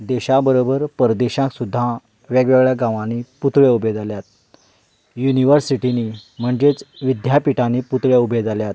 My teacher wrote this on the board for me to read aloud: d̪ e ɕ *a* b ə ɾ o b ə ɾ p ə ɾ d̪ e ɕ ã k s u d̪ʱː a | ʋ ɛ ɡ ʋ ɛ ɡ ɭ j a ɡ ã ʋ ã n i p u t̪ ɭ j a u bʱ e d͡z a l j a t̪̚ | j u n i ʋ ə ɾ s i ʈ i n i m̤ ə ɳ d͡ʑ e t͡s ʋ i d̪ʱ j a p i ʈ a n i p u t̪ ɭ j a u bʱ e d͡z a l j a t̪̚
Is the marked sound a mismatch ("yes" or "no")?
no